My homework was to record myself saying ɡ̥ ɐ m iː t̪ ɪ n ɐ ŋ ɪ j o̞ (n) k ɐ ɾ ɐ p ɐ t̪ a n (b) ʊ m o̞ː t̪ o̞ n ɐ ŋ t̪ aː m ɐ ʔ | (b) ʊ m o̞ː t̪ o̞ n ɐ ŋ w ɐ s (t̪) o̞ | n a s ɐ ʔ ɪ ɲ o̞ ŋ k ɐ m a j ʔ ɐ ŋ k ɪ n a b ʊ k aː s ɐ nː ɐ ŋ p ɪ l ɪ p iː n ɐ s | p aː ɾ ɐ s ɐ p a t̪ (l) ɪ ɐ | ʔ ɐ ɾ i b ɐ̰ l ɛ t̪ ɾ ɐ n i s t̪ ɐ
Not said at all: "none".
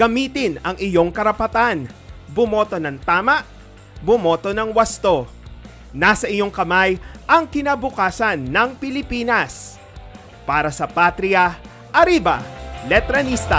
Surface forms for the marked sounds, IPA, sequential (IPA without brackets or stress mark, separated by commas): ŋ, b, b, t̪, ɾ